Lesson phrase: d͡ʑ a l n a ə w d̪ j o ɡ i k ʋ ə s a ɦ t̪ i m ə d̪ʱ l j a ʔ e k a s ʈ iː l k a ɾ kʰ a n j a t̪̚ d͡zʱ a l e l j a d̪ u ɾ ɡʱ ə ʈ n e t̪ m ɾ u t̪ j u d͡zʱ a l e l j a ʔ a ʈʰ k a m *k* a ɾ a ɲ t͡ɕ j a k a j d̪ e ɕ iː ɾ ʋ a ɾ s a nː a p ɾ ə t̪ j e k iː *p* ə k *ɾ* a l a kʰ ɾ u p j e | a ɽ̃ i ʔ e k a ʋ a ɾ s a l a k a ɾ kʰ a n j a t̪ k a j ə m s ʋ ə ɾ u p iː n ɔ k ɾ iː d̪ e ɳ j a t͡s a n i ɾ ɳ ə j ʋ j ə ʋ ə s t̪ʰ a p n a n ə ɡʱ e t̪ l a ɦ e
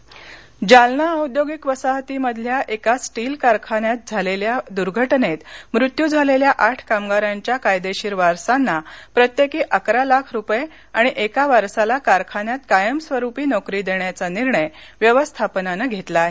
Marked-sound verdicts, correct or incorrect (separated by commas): incorrect, incorrect, correct